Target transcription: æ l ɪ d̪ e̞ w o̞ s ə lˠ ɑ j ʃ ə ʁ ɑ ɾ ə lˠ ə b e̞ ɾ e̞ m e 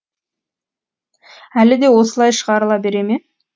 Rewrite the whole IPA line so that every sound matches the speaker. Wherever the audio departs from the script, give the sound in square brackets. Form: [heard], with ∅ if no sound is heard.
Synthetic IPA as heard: æ l ɪ d̪ e̞ w o̞ s ə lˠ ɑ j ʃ ə ʁ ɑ ɾ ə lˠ [ɑ] b e̞ ɾ e̞ m e